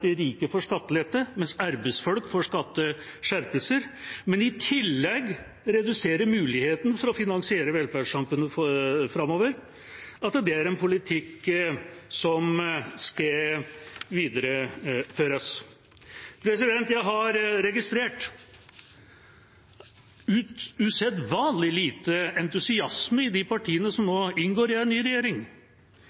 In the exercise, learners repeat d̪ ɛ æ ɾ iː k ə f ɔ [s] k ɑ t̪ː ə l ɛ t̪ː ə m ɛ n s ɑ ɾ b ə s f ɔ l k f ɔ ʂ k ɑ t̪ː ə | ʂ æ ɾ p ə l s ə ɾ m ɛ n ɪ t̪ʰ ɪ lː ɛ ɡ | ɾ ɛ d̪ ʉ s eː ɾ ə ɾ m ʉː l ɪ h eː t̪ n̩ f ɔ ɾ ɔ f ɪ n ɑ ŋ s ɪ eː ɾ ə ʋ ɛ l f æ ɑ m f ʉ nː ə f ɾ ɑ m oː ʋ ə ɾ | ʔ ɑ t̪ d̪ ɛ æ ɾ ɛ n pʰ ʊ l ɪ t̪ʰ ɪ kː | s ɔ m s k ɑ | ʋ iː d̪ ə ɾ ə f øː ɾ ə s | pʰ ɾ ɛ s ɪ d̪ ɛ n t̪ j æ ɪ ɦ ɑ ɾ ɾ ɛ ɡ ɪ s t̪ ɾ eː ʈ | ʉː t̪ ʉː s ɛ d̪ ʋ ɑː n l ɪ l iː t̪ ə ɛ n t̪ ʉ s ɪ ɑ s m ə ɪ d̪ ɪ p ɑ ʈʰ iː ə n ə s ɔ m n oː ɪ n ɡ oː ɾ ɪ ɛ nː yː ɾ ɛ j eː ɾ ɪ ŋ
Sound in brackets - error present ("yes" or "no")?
yes